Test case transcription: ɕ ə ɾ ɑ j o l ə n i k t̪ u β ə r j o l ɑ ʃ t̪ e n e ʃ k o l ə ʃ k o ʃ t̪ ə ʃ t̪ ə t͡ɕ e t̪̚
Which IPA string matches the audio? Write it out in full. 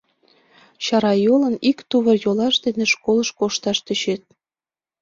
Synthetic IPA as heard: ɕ ɑ ɾ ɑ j o l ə n i k t̪ u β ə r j o l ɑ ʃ d̪ e n e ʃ k o l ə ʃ k o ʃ t̪ ɑ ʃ t̪ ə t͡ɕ e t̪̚

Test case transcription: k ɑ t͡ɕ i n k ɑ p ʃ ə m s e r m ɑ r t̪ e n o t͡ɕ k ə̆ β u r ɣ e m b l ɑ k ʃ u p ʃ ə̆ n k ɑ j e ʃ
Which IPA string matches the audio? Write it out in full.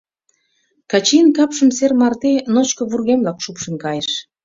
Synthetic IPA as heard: k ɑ t͡ɕ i n k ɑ p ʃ ə m s e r m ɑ r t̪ e n o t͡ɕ k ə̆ β u r ɣ e m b l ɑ k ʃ u p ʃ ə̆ n k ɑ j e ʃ

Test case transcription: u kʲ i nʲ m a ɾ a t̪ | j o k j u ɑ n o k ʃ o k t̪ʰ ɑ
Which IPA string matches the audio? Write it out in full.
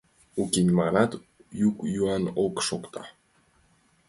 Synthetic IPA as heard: u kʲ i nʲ m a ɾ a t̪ | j u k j u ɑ n o k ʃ o k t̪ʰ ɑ

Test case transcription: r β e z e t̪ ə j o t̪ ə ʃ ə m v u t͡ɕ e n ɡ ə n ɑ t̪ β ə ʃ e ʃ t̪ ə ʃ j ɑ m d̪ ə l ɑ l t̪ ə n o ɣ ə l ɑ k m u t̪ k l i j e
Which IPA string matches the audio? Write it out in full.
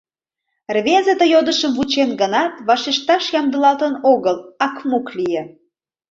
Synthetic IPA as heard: r β e z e t̪ ə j o d̪ ə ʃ ə m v u t͡ɕ e n ɡ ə n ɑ t̪ β ɑ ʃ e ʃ t̪ ɑ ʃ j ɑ m d̪ ə l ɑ l t̪ ə n o ɣ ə l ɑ k m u k l i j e

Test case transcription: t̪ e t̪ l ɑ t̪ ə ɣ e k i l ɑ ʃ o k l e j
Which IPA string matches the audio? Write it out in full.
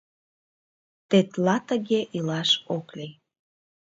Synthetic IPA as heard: t̪ e t̪ l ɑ t̪ ə ɣ e ʔ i l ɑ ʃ o k l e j

